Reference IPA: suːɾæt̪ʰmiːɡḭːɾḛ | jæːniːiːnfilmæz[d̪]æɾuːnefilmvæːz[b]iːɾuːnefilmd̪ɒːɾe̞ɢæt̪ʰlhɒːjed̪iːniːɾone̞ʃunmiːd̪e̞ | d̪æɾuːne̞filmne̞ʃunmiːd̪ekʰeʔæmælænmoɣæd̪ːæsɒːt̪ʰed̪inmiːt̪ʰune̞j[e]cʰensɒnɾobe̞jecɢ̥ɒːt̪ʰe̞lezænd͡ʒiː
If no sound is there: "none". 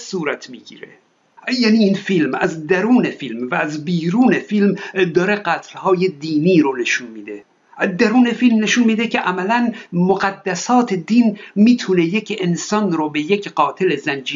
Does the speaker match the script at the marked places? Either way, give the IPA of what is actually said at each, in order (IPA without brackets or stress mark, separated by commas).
d̪, b, e